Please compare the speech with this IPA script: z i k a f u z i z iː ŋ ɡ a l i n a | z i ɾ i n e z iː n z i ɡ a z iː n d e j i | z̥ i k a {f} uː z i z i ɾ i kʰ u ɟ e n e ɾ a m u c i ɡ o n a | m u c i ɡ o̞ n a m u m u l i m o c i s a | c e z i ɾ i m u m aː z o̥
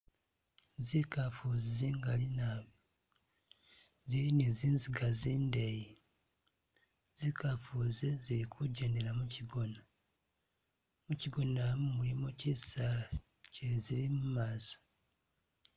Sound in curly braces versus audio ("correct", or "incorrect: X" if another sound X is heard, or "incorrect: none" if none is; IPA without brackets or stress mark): correct